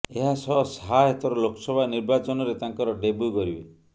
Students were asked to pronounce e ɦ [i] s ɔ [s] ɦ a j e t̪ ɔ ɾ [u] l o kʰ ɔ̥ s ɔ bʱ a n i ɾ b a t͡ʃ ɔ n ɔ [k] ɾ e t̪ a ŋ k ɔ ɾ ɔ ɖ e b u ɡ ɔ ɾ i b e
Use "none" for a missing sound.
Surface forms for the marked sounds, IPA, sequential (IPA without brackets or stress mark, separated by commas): a, s, ɔ, none